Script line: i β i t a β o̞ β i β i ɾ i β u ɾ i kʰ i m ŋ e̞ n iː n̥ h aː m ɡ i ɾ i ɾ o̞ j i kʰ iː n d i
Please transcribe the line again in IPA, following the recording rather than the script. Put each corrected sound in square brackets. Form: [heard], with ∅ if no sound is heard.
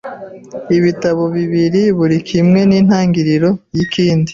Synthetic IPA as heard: i β i t a β o̞ β i β i ɾ i β u ɾ i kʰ i m ŋ e̞ n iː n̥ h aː [ŋ] ɡ i ɾ i ɾ o̞ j i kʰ iː n d i